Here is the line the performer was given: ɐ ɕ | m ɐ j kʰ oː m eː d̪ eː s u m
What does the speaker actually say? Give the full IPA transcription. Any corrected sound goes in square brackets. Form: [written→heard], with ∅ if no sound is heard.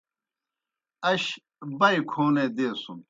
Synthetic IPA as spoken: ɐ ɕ | [m→b] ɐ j kʰ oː [m→n] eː d̪ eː s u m